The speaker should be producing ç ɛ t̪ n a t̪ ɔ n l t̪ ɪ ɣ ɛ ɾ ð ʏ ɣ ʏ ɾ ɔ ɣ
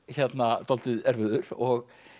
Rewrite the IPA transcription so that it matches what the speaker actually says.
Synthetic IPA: ç ɛ t̪ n a t̪ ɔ l t̪ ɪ ð ɛ ɾ v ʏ ð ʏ ɾ ɔ ɣ